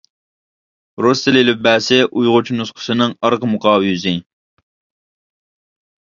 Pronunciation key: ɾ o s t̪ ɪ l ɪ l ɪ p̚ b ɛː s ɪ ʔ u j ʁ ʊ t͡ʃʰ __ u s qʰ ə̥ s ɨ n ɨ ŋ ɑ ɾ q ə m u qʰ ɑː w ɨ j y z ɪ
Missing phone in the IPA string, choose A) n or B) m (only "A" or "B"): A